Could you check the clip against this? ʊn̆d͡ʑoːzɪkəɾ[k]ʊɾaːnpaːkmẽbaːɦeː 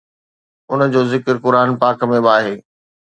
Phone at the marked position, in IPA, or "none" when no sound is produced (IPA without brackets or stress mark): k